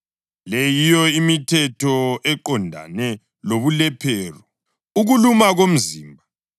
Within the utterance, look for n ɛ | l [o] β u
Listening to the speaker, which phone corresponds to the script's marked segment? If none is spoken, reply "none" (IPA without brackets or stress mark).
o